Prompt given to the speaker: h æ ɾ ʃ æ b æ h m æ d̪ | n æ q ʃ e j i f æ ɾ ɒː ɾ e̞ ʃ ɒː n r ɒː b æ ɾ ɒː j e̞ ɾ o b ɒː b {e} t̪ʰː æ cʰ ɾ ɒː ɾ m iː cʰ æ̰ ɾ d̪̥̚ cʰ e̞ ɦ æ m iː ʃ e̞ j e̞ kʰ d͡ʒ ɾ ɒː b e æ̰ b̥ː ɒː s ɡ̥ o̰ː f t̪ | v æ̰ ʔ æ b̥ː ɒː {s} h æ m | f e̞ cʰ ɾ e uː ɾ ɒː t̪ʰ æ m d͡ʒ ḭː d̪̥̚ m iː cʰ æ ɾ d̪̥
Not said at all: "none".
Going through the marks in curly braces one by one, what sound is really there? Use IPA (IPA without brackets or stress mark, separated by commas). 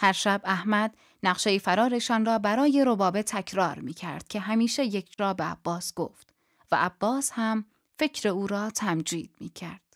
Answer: e, s